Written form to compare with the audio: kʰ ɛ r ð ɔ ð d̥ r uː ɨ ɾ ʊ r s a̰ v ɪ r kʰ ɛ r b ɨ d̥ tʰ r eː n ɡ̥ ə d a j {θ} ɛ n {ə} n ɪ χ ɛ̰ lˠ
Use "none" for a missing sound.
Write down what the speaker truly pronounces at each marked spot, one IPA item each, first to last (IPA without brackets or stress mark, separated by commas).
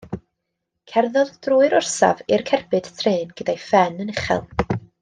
f, ə